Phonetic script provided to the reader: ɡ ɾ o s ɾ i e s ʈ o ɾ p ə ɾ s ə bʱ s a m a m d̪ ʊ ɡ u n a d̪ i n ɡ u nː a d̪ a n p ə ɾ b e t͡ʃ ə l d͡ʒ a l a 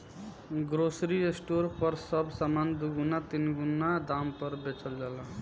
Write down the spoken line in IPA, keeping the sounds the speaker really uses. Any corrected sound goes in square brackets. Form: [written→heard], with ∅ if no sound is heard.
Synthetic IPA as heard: ɡ ɾ o s ɾ i e s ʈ o ɾ p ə ɾ s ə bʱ s a m a [m→n] d̪ [ʊ→u] ɡ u n a [d̪→t̪] i n ɡ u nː a d̪ a [n→m] p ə ɾ b e t͡ʃ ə l d͡ʒ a l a